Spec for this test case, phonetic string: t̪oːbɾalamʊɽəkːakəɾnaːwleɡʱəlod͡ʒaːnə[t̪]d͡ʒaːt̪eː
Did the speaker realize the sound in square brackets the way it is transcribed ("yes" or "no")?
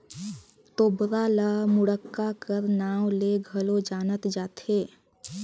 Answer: yes